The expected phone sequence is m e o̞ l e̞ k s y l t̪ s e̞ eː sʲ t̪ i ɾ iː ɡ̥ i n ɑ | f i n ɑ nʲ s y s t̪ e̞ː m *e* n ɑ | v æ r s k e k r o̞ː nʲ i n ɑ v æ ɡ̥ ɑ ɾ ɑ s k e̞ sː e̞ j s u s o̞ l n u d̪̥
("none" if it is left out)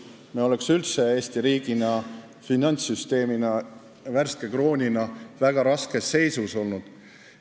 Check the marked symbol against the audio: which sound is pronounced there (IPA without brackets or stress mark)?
i